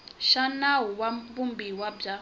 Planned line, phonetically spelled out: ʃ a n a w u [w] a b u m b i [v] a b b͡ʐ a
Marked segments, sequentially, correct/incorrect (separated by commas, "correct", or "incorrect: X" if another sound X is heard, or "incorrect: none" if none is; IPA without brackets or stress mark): correct, incorrect: w